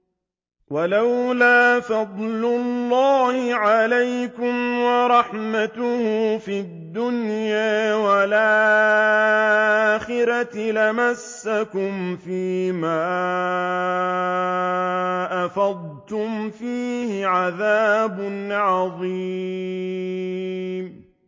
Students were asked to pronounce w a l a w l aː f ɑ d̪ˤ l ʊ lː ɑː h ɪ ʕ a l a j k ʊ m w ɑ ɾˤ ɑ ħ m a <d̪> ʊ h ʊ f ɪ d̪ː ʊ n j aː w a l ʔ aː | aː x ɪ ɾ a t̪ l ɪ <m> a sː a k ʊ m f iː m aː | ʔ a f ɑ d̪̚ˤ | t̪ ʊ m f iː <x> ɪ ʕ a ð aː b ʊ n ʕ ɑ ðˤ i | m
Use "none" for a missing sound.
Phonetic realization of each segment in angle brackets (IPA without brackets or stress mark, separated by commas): t̪, m, h